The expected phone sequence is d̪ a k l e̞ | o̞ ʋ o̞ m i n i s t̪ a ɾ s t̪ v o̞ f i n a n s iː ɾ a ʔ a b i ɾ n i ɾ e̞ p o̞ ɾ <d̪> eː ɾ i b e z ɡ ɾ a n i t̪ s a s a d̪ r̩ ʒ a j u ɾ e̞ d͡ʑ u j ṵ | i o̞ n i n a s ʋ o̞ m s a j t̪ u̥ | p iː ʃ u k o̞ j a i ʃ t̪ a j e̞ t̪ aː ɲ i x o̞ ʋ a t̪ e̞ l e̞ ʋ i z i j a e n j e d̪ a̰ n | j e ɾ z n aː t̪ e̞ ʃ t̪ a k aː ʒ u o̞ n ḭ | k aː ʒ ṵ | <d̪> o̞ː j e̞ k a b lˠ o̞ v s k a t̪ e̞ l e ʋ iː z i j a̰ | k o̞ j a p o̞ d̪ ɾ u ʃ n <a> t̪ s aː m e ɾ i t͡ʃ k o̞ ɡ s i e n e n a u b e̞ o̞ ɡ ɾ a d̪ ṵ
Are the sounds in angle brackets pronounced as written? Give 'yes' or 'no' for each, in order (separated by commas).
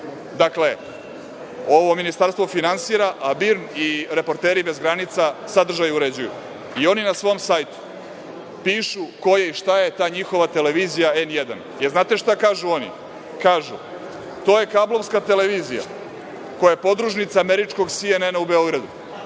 no, no, no